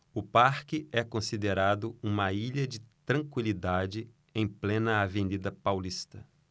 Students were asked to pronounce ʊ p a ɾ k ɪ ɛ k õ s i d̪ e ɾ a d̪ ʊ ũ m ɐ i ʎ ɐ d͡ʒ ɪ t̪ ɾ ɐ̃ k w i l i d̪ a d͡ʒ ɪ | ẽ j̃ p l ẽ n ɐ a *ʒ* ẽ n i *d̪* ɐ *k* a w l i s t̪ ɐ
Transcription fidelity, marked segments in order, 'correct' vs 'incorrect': incorrect, correct, incorrect

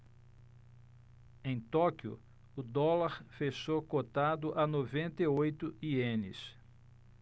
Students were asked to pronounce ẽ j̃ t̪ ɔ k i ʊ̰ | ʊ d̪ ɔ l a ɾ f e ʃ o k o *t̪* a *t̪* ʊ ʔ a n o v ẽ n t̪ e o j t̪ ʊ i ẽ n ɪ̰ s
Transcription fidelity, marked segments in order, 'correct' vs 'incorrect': correct, incorrect

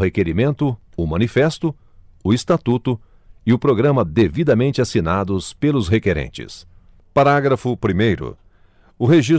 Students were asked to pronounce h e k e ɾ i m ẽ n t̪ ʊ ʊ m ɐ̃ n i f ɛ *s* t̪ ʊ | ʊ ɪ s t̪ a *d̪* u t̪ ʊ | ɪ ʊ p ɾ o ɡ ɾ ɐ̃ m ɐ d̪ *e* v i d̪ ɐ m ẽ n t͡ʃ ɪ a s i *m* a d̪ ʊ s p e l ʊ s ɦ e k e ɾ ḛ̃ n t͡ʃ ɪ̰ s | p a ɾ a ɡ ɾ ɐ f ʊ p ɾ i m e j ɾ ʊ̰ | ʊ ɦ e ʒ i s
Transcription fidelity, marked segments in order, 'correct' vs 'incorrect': correct, incorrect, correct, incorrect

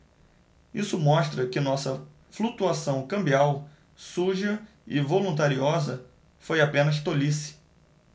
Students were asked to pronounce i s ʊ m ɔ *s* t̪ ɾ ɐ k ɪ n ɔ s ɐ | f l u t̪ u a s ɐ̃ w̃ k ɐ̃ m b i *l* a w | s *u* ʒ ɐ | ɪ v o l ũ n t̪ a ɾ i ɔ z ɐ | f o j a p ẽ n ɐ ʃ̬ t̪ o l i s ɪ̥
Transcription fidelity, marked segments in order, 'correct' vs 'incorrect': incorrect, incorrect, correct

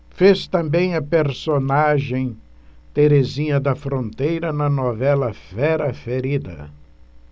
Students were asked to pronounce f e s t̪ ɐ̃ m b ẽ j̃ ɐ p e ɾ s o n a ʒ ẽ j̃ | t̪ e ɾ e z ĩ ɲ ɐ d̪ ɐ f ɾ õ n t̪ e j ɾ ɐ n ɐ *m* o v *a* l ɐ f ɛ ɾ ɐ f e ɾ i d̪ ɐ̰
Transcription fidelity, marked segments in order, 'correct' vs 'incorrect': incorrect, incorrect

